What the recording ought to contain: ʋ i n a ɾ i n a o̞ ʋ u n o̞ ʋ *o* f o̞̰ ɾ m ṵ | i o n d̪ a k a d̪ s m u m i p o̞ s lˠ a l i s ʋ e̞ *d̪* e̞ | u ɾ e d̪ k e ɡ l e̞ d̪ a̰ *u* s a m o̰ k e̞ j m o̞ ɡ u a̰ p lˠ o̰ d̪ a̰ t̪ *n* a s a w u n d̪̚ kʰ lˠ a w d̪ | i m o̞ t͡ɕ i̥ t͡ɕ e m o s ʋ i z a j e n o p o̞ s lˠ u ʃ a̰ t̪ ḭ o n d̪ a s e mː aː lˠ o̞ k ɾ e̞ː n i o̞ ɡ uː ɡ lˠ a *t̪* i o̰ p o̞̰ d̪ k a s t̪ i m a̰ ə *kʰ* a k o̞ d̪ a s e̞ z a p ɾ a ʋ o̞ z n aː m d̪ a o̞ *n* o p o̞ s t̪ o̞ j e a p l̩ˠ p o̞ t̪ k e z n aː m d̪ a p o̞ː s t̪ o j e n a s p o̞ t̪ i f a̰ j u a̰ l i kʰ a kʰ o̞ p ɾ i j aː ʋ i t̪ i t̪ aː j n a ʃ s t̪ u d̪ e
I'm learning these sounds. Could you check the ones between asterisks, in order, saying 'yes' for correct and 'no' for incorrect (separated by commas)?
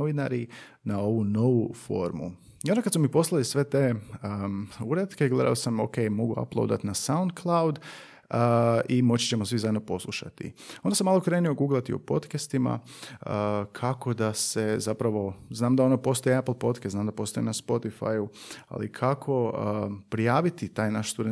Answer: no, no, no, yes, yes, yes, yes